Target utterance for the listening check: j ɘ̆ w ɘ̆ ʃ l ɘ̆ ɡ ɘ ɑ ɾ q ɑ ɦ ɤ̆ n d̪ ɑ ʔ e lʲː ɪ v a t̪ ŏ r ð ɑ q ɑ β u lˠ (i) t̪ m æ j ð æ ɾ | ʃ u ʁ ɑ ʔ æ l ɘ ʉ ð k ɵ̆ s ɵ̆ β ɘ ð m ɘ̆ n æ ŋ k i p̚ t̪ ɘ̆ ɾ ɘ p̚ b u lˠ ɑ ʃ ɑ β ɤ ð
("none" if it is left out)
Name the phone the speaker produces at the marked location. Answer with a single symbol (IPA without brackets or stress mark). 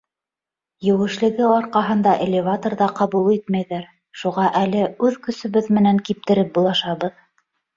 i